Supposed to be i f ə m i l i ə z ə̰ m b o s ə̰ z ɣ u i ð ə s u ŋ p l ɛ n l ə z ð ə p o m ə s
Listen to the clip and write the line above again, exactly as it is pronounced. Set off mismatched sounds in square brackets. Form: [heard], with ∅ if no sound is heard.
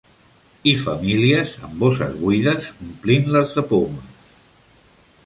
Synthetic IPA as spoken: i f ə m i l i ə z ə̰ m b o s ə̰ z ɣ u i ð ə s u [m] p l [i] n l ə z ð ə p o m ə s